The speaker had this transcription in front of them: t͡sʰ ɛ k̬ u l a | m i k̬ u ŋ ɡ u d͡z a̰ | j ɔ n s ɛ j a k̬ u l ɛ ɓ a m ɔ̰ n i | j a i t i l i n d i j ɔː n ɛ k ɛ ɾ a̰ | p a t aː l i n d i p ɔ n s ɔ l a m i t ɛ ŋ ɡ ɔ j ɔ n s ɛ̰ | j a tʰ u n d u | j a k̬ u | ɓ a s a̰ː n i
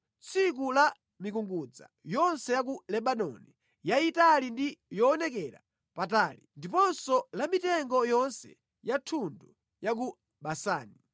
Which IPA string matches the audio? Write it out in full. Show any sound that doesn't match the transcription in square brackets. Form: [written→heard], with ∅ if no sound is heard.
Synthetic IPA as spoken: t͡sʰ [ɛ→i] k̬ u l a | m i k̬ u ŋ ɡ u d͡z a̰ | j ɔ n s ɛ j a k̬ u l ɛ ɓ a [m→n] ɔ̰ n i | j a i t [i→a] l i n d i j ɔː n ɛ k ɛ ɾ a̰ | p a t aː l i n d i p ɔ n s ɔ l a m i t ɛ ŋ ɡ ɔ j ɔ n s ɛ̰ | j a tʰ u n d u | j a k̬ u | ɓ a s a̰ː n i